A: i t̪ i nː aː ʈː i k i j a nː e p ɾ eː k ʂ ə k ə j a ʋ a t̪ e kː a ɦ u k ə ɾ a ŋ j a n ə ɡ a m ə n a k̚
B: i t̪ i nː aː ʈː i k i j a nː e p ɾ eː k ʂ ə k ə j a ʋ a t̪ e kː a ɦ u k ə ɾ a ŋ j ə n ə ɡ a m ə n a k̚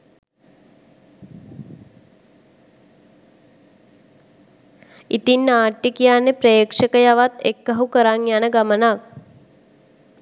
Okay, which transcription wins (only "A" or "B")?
A